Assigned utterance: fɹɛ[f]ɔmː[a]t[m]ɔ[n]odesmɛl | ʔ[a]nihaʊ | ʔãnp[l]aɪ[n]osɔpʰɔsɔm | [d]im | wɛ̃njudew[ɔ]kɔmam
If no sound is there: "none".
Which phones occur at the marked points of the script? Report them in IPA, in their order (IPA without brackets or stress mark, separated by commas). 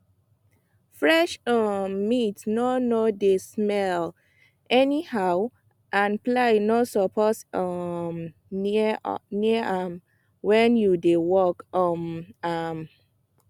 ʃ, i, n, n, ɛ, l, n, n, ɔ